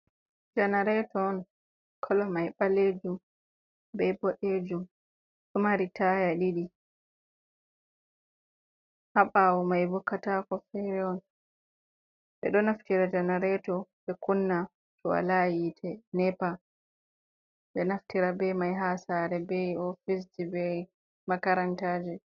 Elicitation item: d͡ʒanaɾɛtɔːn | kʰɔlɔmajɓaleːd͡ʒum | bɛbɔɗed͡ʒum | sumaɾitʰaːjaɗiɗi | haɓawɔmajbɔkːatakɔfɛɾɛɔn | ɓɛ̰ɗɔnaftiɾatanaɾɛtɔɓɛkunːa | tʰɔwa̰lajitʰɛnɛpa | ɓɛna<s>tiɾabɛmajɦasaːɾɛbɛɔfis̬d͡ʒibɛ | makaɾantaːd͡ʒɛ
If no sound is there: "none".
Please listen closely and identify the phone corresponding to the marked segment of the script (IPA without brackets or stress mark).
f